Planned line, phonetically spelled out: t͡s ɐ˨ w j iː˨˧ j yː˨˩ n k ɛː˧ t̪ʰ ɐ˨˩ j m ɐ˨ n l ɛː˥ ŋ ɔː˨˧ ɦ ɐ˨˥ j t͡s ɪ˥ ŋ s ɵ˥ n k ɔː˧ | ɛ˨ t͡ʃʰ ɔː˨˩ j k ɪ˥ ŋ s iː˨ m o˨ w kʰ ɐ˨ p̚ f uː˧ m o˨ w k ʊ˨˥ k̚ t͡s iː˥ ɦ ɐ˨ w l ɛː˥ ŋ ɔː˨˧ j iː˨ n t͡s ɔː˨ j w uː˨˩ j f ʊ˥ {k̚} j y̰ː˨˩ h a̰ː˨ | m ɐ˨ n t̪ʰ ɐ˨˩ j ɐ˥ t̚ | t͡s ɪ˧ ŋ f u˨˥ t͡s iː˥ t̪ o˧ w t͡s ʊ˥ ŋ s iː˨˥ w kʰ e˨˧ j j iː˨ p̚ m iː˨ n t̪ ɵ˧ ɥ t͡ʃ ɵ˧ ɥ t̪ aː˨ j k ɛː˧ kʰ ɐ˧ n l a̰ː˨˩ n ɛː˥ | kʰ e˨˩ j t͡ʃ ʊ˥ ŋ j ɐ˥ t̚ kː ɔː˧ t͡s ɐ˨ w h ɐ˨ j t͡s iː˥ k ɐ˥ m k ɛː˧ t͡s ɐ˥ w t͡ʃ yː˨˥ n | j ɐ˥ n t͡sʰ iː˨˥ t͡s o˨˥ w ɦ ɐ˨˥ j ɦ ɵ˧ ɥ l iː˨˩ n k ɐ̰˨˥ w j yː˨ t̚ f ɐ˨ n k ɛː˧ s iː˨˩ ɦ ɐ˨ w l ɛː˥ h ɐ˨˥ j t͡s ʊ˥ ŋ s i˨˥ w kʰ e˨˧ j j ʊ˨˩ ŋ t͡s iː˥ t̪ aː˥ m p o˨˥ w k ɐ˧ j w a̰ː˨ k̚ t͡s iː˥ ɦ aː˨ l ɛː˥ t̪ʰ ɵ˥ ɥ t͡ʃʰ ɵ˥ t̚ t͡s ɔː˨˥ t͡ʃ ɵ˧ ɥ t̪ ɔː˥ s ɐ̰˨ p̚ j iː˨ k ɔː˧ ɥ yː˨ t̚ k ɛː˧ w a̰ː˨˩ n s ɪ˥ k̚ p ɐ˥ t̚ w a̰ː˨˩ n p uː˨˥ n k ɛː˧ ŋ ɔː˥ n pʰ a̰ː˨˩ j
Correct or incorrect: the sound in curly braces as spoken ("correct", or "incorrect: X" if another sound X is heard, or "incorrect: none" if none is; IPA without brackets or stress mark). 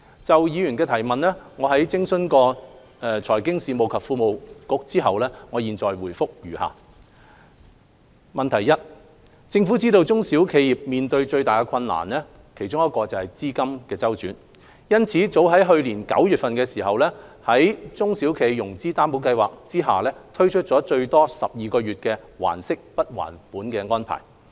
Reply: correct